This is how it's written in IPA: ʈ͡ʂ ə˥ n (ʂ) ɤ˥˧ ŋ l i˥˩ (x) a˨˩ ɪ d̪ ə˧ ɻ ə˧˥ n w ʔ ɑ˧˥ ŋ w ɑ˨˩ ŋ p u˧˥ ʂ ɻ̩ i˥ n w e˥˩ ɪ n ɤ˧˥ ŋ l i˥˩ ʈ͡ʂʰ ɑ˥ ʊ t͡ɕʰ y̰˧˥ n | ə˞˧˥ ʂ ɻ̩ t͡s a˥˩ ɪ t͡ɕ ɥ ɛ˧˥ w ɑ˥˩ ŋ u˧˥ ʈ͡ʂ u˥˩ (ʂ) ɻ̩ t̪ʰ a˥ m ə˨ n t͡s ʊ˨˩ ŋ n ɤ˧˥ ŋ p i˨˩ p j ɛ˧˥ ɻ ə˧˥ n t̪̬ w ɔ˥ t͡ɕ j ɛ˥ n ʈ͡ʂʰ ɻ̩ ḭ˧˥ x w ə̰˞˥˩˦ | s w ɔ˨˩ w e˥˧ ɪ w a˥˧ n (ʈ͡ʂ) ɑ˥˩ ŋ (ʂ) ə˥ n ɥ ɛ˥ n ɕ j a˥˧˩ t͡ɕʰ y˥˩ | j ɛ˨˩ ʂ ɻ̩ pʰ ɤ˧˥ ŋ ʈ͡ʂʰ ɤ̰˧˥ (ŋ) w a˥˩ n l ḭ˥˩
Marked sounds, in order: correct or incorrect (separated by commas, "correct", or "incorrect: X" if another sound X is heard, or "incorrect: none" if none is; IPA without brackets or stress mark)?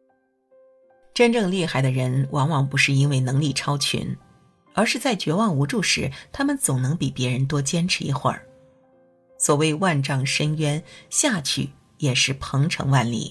incorrect: ʈ͡ʂ, correct, correct, correct, correct, correct